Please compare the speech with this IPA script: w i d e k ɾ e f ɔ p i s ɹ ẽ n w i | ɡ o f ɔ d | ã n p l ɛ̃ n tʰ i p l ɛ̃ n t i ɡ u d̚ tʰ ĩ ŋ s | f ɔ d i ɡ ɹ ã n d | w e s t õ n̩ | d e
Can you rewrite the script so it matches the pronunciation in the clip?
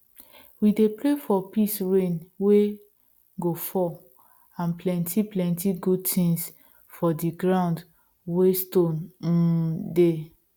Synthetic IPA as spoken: w i d e p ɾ e f ɔ p i s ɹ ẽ n w e | ɡ o f ɔ | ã n p l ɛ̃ n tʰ i p l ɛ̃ n t i ɡ u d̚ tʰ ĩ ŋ s | f ɔ d i ɡ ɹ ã n d | w e s t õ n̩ | d e